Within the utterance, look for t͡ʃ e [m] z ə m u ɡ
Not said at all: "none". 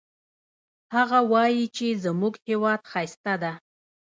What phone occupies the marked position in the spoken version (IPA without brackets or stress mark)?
none